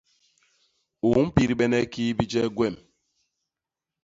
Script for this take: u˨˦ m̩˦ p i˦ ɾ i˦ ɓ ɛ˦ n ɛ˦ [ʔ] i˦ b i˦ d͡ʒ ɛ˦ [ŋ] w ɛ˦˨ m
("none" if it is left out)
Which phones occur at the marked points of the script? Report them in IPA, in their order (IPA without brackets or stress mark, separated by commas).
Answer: k, ɡ